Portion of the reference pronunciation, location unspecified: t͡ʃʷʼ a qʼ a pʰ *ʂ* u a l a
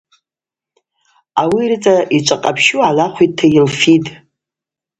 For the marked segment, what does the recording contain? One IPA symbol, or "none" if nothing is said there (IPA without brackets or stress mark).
ʃ